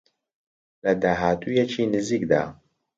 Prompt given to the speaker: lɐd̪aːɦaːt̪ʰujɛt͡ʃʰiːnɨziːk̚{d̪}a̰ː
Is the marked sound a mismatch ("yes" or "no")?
no